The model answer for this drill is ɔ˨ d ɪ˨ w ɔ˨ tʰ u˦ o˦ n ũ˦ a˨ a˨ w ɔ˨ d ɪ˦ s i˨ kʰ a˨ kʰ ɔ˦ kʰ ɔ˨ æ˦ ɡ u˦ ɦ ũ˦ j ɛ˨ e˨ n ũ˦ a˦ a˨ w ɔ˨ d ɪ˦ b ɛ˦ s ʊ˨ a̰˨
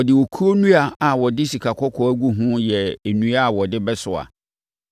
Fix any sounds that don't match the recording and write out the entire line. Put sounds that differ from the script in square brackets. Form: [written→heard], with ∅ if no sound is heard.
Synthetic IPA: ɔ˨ d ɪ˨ w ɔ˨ [tʰ→kʰ] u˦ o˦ n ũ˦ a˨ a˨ w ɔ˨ d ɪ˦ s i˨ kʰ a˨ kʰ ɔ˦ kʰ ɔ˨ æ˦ ɡ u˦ ɦ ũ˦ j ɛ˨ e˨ n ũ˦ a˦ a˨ w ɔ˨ d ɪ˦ b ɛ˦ s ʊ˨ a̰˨